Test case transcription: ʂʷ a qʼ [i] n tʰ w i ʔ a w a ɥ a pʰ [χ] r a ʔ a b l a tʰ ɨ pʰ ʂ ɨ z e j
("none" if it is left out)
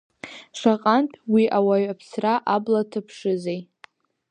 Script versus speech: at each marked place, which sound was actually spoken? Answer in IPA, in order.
a, s

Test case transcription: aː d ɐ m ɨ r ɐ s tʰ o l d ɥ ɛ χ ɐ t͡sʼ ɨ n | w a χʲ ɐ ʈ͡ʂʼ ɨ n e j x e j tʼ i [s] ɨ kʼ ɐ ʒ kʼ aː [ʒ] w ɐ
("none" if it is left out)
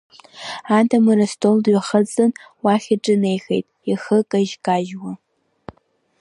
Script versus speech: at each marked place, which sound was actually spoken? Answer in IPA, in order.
x, ʒ

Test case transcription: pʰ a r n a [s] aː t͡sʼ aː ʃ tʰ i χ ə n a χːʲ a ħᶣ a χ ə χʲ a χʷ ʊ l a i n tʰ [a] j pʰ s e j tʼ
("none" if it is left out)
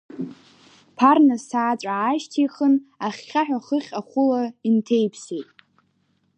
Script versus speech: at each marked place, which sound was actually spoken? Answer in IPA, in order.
s, e

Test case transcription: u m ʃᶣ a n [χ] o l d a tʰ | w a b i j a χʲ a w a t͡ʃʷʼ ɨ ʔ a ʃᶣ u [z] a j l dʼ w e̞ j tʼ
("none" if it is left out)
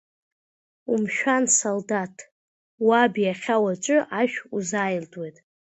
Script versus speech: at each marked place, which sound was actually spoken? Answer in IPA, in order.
s, z

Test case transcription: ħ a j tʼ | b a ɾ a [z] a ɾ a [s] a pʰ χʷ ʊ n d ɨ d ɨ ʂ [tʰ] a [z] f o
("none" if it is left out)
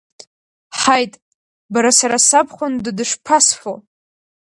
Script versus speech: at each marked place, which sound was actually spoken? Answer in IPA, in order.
s, s, pʰ, s

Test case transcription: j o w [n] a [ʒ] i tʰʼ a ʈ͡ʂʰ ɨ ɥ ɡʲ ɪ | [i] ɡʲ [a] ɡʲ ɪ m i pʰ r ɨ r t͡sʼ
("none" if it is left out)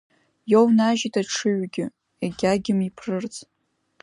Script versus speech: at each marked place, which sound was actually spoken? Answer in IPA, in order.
n, ʒ, e, a

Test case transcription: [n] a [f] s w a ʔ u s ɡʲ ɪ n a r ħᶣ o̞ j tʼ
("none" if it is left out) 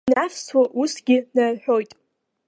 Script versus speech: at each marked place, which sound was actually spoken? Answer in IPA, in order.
n, f

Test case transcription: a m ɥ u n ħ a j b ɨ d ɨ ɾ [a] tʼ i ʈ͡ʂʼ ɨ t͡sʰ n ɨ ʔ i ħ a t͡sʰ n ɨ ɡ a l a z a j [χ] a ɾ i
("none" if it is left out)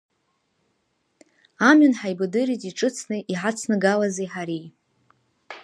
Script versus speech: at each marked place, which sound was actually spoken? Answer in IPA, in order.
i, ħ

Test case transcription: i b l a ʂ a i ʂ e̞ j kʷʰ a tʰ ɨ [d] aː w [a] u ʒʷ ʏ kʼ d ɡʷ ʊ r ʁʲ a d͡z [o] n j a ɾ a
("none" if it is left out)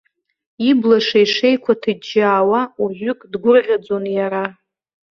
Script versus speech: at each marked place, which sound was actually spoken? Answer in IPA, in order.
d͡ʒ, a, o

